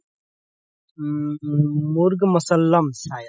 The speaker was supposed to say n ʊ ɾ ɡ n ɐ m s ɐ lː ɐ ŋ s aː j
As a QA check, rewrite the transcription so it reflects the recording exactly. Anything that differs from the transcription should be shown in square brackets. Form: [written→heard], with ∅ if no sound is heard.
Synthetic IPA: [n→m] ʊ ɾ ɡ [n→m] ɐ [m→∅] s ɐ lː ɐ [ŋ→m] s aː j

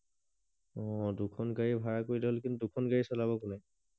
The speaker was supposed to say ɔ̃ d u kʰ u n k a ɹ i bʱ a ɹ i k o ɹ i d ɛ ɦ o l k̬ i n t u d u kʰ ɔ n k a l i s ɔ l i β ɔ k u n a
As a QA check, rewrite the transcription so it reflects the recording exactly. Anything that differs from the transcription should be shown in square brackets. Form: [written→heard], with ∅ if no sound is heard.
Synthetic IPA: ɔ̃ d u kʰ [u→ɔ] n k a ɹ i bʱ a ɹ [i→a] k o ɹ i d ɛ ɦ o l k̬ i n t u d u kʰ ɔ n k a [l→ɹ] i s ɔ l [i→a] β ɔ k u n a

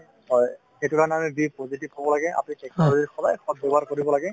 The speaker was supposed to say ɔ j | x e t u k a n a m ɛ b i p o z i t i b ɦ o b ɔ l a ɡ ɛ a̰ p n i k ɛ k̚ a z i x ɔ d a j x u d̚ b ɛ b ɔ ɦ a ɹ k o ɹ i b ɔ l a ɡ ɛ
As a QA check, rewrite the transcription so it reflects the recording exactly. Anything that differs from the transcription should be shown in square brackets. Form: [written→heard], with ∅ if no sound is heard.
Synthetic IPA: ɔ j | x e t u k a n a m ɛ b i p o z i t i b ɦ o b ɔ l a ɡ ɛ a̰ p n i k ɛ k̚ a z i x ɔ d a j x [u→ɔ] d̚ b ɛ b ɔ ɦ a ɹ k o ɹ i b ɔ l a ɡ ɛ

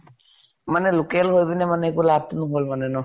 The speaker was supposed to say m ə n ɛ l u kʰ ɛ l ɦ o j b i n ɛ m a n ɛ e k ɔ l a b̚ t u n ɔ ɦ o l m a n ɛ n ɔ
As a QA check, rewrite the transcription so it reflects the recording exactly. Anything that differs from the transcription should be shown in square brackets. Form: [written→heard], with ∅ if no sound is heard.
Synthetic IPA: m [ə→a] n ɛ l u [kʰ→k] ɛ l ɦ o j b i n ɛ m a n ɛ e k [ɔ→u] l a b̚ t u n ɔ ɦ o l m a n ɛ n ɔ

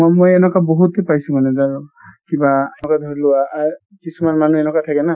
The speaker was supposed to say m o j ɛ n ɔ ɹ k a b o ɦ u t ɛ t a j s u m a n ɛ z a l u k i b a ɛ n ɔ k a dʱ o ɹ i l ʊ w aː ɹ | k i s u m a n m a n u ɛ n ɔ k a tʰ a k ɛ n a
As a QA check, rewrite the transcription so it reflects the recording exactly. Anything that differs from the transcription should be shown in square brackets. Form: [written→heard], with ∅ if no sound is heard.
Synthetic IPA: m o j ɛ n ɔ [ɹ→∅] k a b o ɦ u t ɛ [t→p] a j s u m a n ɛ z a [l→ɹ] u k i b a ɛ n ɔ k a dʱ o ɹ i l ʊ w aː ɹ | k i s u m a n m a n u ɛ n ɔ k a tʰ a k ɛ n a

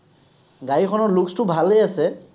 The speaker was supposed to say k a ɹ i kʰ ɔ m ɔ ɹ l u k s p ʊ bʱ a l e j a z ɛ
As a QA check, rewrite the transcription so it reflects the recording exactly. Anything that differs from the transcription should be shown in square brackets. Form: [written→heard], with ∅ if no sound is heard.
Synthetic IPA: [k→ɡ] a ɹ i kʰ ɔ [m→n] ɔ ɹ l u k s [p→t] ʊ bʱ a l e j a [z→s] ɛ

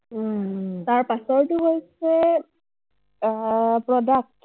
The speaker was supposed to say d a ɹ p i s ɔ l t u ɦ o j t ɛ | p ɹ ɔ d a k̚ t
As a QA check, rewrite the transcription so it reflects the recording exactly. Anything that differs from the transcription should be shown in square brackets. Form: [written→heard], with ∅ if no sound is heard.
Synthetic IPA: [d→t] a ɹ p [i→a] s ɔ [l→ɹ] t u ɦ o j [t→s] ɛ | p ɹ ɔ d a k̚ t

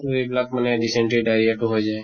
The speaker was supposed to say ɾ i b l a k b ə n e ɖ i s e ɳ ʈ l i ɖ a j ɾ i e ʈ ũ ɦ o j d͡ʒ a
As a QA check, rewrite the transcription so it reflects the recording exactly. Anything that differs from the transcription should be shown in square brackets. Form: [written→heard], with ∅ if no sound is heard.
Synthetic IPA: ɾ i b l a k [b→m] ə n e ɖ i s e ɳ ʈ [l→ɾ] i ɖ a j ɾ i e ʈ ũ ɦ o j d͡ʒ a

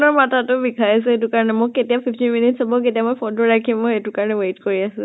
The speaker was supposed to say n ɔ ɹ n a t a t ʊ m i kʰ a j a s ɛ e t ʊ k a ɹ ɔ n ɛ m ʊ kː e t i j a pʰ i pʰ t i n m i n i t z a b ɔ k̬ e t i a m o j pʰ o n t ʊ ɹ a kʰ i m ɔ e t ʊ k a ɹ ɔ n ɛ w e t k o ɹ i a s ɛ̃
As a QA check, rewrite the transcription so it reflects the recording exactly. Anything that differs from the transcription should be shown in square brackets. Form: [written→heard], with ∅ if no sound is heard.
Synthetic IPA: n ɔ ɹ [n→m] a t a t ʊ [m→b] i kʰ a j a s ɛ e t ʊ k a ɹ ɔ n ɛ m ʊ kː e t i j a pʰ i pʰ t i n m i n i t [z→s] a b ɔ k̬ e t i a m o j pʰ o n t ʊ ɹ a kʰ i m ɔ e t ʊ k a ɹ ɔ n ɛ w e t k o ɹ i a s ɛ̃

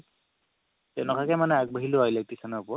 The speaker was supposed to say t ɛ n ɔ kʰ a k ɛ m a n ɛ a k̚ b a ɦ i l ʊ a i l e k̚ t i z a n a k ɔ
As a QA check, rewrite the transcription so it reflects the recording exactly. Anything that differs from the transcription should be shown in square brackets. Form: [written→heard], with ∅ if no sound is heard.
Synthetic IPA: t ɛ n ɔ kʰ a k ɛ m a n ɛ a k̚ b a ɦ i l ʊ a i l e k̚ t i [z→s] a n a [k→p] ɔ

